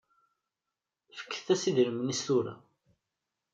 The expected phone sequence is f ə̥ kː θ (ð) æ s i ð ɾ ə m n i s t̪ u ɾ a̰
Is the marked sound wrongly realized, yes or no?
yes